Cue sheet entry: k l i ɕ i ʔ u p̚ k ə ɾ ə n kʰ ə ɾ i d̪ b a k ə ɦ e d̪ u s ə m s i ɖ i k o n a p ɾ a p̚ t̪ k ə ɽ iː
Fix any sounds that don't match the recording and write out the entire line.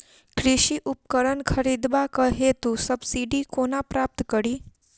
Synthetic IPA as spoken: k ɾ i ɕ i ʔ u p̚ k ə ɾ ə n kʰ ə ɾ i d̪ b a k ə ɦ e t̪ u s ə b s i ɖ i k o n a p ɾ a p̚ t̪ k ə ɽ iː